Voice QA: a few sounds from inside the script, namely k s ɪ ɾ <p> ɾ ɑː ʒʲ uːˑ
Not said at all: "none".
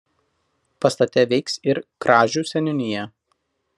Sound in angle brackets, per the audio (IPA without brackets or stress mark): k